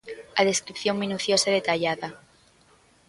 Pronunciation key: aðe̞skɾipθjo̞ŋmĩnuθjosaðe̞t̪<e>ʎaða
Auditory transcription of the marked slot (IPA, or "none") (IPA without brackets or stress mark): a